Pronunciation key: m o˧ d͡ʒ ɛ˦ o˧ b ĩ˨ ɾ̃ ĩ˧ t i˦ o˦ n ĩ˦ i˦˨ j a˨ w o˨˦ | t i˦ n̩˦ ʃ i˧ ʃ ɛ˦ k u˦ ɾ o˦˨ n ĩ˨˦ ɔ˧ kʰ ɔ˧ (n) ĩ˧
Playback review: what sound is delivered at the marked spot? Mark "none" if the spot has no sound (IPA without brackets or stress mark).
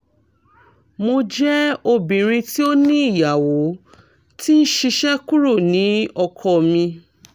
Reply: m